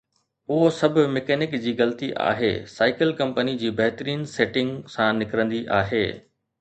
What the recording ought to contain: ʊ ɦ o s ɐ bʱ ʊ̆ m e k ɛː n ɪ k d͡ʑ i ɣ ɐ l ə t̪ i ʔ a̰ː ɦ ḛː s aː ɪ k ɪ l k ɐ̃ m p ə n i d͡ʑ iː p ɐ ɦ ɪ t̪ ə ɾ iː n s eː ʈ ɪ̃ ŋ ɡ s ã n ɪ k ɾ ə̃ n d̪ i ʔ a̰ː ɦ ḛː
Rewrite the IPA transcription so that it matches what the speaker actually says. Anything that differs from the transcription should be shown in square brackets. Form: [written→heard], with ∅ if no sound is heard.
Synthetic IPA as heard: ʊ ɦ o s ɐ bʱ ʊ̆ m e k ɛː n ɪ k d͡ʑ [i→iː] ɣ ɐ l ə t̪ i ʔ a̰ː ɦ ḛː s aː ɪ k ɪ l k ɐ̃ m p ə n i d͡ʑ iː [p→b] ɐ ɦ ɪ t̪ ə ɾ iː n s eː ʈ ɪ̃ ŋ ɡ s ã n ɪ k ɾ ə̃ n d̪ i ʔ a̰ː ɦ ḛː

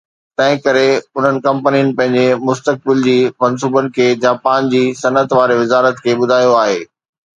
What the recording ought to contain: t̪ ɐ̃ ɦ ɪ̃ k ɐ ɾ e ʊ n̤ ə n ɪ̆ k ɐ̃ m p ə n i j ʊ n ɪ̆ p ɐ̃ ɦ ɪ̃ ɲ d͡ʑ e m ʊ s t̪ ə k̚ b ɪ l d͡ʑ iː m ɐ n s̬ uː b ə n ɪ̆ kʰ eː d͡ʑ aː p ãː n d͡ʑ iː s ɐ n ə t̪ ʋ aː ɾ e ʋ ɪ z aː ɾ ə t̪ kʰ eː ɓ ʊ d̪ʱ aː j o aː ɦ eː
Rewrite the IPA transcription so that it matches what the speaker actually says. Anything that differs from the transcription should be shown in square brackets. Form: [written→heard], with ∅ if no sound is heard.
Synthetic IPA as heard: t̪ ɐ̃ ɦ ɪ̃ k ɐ ɾ e ʊ n̤ ə n ɪ̆ k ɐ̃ m p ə n i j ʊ n ɪ̆ p ɐ̃ ɦ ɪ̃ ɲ d͡ʑ e m ʊ s t̪ ə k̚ b ɪ l d͡ʑ iː m ɐ n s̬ uː b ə n ɪ̆ kʰ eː d͡ʑ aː p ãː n d͡ʑ iː s ɐ n ə t̪ ʋ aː ɾ e ʋ ɪ z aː ɾ ə t̪ kʰ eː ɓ ʊ d̪ʱ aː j o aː ɦ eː

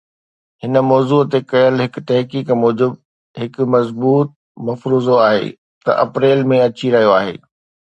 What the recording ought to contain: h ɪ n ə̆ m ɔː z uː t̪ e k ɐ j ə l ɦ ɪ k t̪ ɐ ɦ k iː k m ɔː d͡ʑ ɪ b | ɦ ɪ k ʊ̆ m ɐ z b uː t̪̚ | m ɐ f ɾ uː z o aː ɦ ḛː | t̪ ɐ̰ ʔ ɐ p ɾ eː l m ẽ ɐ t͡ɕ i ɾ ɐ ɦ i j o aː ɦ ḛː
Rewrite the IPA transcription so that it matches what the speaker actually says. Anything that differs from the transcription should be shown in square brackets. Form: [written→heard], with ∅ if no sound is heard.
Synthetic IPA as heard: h ɪ n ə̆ m ɔː z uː t̪ e k ɐ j ə l ɦ ɪ k t̪ ɐ ɦ k iː k m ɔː d͡ʑ ɪ b | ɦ ɪ k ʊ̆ m ɐ z b uː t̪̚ | m ɐ f ɾ uː z o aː ɦ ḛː | t̪ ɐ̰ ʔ ɐ p ɾ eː l m ẽ ɐ t͡ɕ i ɾ ɐ ɦ i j o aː ɦ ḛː

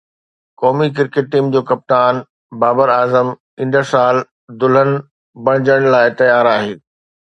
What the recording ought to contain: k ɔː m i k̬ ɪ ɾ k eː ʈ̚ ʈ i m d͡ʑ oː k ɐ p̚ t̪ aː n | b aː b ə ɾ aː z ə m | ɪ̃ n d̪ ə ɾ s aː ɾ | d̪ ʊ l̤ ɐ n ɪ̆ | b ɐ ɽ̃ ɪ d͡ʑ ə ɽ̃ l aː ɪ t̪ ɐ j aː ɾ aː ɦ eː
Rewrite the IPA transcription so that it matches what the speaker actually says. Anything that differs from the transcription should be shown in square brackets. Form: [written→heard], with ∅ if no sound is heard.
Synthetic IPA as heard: k ɔː m i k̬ ɪ ɾ k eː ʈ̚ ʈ [i→iː] m d͡ʑ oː k ɐ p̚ t̪ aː n | b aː b ə ɾ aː z ə m | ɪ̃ n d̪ ə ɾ s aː [ɾ→l] | d̪ ʊ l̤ [ɐ→ə] n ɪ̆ | b ɐ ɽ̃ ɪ d͡ʑ ə ɽ̃ l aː ɪ t̪ ɐ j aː ɾ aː ɦ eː

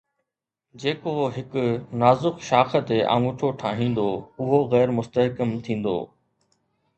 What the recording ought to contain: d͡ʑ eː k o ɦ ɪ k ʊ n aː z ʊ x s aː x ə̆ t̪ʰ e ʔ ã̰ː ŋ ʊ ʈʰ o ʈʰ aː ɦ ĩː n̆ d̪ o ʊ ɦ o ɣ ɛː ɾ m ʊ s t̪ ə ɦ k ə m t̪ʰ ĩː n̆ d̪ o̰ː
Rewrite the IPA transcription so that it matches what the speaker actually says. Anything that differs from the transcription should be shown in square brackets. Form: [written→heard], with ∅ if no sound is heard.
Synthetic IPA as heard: d͡ʑ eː k o ɦ ɪ k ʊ n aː z ʊ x [s→ʃ] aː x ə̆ [t̪ʰ→t̪] e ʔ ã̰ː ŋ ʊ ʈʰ o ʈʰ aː ɦ ĩː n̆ d̪ o ʊ ɦ o ɣ ɛː ɾ m ʊ s t̪ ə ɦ k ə m t̪ʰ ĩː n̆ d̪ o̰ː

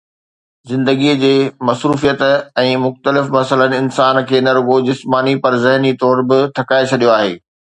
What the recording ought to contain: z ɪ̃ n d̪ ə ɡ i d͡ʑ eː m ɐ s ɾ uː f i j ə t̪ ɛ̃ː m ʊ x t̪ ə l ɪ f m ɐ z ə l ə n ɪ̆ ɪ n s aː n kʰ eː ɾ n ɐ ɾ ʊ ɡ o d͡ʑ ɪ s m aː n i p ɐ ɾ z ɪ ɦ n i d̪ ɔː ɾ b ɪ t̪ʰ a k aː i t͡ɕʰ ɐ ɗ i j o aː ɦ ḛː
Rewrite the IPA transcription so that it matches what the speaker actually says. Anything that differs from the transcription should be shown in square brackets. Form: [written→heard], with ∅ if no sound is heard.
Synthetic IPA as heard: z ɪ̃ n d̪ ə ɡ i d͡ʑ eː m ɐ s ɾ uː f i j ə t̪ ɛ̃ː m ʊ x t̪ ə l ɪ f m ɐ [z→s] ə l ə n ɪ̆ ɪ n s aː n kʰ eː [ɾ→∅] n ɐ ɾ ʊ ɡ o d͡ʑ ɪ s m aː n i p ɐ ɾ z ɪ ɦ n i [d̪→t̪] ɔː ɾ b ɪ t̪ʰ [a→ɐ] k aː [i→e] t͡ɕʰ ɐ ɗ i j o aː ɦ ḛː

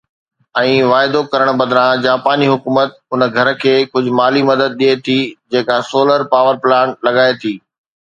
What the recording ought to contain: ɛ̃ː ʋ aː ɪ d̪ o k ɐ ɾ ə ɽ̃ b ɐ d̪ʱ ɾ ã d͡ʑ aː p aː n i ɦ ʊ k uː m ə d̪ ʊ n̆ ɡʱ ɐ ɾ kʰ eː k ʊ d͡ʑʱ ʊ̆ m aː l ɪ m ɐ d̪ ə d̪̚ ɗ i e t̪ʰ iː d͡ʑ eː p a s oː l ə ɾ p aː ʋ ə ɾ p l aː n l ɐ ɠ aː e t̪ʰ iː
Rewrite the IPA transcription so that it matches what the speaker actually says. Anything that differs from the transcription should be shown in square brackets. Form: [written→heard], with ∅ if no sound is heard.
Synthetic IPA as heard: ɛ̃ː ʋ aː ɪ d̪ o k ɐ ɾ ə ɽ̃ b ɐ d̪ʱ ɾ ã d͡ʑ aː p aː n i ɦ ʊ k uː m ə [d̪→t̪] ʊ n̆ ɡʱ ɐ ɾ kʰ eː k ʊ d͡ʑʱ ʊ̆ m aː l [ɪ→i] m ɐ d̪ ə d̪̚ ɗ i e t̪ʰ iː d͡ʑ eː [p→k] a s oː l ə ɾ p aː ʋ ə ɾ p l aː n l ɐ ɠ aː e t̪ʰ iː

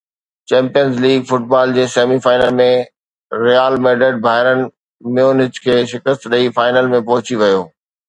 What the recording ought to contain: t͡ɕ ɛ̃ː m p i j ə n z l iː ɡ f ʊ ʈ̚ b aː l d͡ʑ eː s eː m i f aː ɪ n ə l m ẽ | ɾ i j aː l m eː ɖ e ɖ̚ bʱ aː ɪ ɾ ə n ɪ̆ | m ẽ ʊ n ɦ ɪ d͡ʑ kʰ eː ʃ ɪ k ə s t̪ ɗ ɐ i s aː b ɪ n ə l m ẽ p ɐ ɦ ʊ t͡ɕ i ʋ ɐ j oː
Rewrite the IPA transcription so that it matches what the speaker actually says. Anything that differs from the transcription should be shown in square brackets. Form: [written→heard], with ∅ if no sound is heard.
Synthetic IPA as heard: t͡ɕ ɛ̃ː m p i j ə n z l iː ɡ f ʊ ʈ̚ b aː l d͡ʑ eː s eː m i f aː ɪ n ə l m ẽ | ɾ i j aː l m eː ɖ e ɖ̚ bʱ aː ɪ ɾ ə n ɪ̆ | m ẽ ʊ n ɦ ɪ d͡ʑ kʰ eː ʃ ɪ k ə s t̪ ɗ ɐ i [s→f] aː [b→∅] ɪ n ə l m ẽ p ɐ ɦ ʊ t͡ɕ i ʋ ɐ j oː

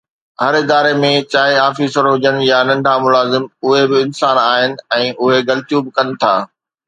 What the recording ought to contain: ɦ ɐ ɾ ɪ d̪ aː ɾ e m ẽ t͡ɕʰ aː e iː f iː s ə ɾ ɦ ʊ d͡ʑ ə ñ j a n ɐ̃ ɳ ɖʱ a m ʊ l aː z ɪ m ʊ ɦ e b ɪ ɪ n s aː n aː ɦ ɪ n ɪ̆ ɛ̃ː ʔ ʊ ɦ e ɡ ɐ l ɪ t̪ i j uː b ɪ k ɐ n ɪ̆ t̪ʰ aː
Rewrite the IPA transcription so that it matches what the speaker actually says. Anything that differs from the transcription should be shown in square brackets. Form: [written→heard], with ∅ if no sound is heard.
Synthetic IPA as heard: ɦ ɐ ɾ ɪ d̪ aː ɾ e m ẽ [t͡ɕʰ→t͡ɕ] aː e [iː→aː] f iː s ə ɾ ɦ ʊ d͡ʑ ə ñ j a n ɐ̃ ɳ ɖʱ a m ʊ l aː z ɪ m ʊ ɦ e b ɪ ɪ n s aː n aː ɦ ɪ n ɪ̆ ɛ̃ː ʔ ʊ ɦ e ɡ ɐ l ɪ t̪ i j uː b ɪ k ɐ n ɪ̆ t̪ʰ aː

